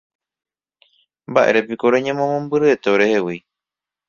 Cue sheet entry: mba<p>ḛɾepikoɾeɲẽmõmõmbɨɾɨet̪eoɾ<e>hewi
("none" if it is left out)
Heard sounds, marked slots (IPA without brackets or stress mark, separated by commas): ʔ, e